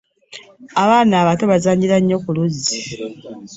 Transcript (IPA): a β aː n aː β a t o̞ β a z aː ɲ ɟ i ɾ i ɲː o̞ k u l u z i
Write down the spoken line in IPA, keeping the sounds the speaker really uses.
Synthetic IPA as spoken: a β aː n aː β a t o̞ β a z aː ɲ ɟ i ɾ a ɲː o̞ k u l u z i